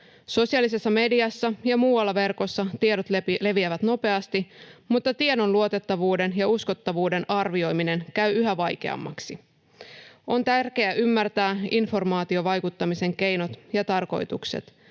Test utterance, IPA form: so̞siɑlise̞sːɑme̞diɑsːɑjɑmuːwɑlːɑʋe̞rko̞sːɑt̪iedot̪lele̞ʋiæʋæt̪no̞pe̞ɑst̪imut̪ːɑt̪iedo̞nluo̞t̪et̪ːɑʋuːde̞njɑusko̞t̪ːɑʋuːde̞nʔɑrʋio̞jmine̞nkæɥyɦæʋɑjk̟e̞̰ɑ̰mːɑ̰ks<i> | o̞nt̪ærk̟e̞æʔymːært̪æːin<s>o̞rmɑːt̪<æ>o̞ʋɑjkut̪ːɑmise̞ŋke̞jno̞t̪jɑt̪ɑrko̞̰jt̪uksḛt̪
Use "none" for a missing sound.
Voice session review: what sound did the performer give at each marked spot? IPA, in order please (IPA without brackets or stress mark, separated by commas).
i, f, i